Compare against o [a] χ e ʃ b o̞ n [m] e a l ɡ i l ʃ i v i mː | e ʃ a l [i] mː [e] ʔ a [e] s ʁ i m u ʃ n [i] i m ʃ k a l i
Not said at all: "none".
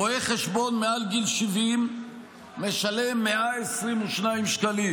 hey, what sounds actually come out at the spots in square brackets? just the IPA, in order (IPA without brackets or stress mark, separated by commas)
e, m, e, e, e, a